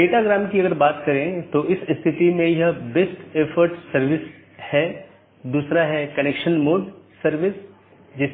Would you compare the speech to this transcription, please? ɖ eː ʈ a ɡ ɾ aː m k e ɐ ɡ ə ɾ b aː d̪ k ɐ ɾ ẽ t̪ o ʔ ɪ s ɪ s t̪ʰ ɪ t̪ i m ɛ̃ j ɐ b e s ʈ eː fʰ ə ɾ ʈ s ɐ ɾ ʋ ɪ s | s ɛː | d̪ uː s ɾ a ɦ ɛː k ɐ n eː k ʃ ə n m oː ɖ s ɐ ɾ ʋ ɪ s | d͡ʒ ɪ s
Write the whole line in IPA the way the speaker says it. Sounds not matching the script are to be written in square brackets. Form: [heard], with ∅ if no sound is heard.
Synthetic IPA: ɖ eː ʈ a ɡ ɾ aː m k [i] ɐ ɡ ə ɾ b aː [t̪] k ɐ ɾ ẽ t̪ o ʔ ɪ s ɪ s t̪ʰ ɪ t̪ i m [ẽ] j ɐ b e s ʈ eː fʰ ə ɾ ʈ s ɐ ɾ ʋ ɪ s | [h] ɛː | d̪ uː s ɾ a ɦ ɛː k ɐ n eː k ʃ ə n m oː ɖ s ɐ ɾ ʋ ɪ s | d͡ʒ ɪ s